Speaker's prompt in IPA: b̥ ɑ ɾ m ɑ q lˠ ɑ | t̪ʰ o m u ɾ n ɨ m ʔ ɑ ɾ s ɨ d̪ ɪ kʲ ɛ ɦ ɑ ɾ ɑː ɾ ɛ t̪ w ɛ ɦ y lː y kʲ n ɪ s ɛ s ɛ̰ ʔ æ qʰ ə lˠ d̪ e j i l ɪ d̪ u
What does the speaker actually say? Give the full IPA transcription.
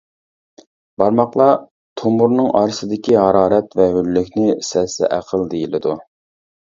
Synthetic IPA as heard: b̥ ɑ ɾ m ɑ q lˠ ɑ | t̪ʰ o m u ɾ n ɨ ŋ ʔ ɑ ɾ s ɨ d̪ ɪ kʲ i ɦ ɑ ɾ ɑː ɾ ɛ t̪ v ɛ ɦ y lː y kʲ n ɪ s ɛ s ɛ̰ ʔ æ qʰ ə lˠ d̪ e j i l ɪ d̪ u

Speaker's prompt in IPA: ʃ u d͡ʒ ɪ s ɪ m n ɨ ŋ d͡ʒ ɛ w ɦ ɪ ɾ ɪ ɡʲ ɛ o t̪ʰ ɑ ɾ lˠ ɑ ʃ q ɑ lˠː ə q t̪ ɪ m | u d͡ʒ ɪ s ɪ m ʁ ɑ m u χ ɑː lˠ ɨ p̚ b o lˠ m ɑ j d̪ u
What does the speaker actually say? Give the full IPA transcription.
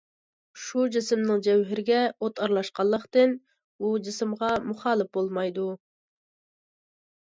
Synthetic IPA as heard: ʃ u d͡ʒ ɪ s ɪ m n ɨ ŋ d͡ʒ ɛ w ɦ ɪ ɾ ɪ ɡʲ ɛ o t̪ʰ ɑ ɾ lˠ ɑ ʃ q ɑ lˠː ə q t̪ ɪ n | u d͡ʒ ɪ s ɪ m ʁ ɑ m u χ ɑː lˠ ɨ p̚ b o lˠ m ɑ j d̪ u

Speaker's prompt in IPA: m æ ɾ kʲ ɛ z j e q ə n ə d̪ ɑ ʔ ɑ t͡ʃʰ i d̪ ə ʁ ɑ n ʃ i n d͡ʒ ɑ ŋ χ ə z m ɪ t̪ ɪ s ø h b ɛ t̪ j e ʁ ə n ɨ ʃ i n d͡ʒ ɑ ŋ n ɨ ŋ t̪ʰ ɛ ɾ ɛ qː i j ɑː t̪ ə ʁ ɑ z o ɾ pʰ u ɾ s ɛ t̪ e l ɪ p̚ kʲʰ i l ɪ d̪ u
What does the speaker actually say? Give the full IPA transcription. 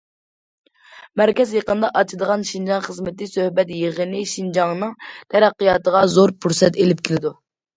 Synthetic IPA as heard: m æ ɾ kʲ ɛ z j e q ə n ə d̪ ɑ ʔ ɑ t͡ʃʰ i d̪ ə ʁ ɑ n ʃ i n d͡ʒ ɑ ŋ χ ə z m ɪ t̪ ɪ s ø h b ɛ t̪ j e ʁ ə n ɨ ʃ i n d͡ʒ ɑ ŋ n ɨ ŋ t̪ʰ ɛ ɾ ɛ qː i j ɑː t̪ ə ʁ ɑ z o ɾ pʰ u ɾ s ɛ t̪ e l ɪ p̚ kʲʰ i l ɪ d̪ u

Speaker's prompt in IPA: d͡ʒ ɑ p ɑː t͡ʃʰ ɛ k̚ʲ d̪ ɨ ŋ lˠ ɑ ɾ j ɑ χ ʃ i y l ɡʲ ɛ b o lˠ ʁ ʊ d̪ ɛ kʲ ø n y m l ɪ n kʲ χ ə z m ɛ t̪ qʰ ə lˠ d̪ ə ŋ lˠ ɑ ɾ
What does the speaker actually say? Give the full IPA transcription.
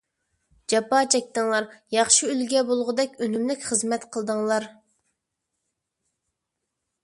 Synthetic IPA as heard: d͡ʒ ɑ p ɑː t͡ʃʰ ɛ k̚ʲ t̪ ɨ ŋ lˠ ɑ ɾ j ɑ χ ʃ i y l ɡʲ ɛ b o lˠ ʁ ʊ d̪ ɛ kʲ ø n y m l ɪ kʲ χ ə z m ɛ t̪ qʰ ə lˠ d̪ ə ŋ lˠ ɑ ɾ

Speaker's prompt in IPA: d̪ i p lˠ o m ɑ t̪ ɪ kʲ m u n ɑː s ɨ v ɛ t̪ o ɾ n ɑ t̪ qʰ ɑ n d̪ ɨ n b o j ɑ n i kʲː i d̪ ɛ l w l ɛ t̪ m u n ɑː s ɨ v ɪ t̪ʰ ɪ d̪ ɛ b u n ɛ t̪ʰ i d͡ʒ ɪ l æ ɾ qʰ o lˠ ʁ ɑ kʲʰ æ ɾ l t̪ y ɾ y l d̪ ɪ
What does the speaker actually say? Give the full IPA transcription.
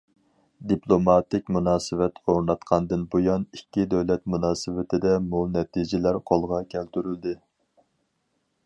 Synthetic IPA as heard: d̪ i p lˠ o m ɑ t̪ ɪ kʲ m u n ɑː s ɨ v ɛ t̪ o ɾ n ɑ t̪ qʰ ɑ n d̪ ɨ n b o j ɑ n i kʲː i d̪ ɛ w l ɛ t̪ m u n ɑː s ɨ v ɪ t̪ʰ ɪ d̪ ɛ m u n ɛ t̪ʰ i d͡ʒ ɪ l æ ɾ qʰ o lˠ ʁ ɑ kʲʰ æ l t̪ y ɾ y l d̪ ɪ

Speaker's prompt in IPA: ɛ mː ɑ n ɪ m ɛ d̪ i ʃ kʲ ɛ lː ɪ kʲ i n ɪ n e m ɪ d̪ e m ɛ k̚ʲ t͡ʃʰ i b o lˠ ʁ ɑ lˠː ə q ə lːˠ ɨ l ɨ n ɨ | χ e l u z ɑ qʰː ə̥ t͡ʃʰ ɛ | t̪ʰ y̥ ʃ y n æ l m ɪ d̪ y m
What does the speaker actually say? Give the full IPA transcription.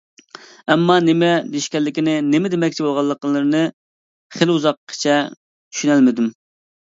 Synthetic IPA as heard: ɛ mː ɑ n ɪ m ɛ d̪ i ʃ kʲ ɛ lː ɪ kʲ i n ɪ n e m ɪ d̪ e m ɛ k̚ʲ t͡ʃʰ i b o lˠ ʁ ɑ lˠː ə q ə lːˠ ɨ ɾ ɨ n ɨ | χ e l u z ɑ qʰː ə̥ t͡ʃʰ ɛ | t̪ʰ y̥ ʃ y n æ l m ɪ d̪ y m

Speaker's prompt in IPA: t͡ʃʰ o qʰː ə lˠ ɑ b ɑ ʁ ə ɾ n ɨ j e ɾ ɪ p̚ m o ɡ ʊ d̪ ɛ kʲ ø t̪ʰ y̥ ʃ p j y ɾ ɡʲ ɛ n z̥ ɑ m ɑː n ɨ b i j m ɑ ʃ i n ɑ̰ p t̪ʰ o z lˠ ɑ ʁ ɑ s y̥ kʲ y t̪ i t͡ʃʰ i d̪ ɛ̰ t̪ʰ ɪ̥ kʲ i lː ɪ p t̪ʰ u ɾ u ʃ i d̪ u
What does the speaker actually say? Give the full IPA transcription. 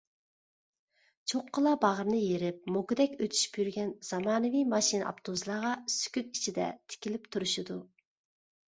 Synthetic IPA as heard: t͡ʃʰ o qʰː ə lˠ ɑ b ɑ ʁ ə ɾ n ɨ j e ɾ ɪ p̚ m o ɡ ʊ d̪ ɛ kʲ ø t̪ʰ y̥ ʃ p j y ɾ ɡʲ ɛ n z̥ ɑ m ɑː n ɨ v i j m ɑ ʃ i n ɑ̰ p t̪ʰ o z lˠ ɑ ʁ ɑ s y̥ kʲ y t̪ i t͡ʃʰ i d̪ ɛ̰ t̪ʰ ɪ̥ kʲ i l ɪ p t̪ʰ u ɾ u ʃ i d̪ u

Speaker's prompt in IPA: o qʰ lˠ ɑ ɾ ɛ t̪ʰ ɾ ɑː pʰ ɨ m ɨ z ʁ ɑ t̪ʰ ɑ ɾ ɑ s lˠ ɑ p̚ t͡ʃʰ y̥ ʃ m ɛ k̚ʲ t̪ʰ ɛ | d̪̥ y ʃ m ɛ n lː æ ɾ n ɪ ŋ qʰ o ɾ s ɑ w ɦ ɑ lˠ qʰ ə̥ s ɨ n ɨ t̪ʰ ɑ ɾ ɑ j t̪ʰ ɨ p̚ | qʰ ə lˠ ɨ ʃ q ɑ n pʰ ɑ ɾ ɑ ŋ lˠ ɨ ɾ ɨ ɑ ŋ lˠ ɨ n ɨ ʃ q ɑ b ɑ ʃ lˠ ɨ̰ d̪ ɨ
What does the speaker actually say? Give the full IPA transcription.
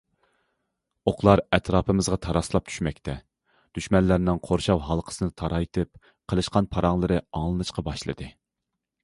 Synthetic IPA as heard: o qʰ lˠ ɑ ɾ ɛ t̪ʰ ɾ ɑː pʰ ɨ m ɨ z ʁ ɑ t̪ʰ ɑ ɾ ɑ s lˠ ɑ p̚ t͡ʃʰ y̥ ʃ m ɛ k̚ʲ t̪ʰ ɛ | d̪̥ y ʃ m ɛ n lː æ ɾ n ɪ ŋ qʰ o ɾ ʃ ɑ w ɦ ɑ lˠ qʰ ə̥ s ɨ n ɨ t̪ʰ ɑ ɾ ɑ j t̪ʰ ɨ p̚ | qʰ ə lˠ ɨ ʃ q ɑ n pʰ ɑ ɾ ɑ ŋ lˠ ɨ ɾ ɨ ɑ ŋ lˠ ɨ n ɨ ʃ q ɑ b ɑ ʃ lˠ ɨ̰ d̪ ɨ

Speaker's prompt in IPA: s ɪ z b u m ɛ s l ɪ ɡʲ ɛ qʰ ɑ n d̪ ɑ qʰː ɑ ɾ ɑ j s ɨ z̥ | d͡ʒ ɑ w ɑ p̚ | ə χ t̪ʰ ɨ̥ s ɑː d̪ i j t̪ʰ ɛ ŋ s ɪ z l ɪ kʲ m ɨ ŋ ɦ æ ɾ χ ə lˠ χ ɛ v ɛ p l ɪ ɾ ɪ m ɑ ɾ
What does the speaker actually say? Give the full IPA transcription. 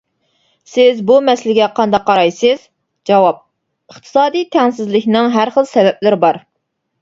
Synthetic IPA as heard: s ɪ z b u m ɛ s l ɪ ɡʲ ɛ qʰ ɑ n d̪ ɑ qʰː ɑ ɾ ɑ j s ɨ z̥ | d͡ʒ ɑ w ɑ p̚ | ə χ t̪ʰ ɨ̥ s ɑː d̪ i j t̪ʰ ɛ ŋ s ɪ z l ɪ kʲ n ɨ ŋ ɦ æ ɾ χ ə lˠ s ɛ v ɛ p l ɪ ɾ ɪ b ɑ ɾ

